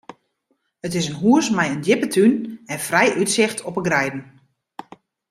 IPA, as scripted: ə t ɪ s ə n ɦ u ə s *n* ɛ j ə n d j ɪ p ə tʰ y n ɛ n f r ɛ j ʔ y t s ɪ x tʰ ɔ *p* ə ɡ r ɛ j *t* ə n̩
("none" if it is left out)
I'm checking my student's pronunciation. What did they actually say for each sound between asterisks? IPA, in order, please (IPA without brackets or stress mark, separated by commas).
m, p, d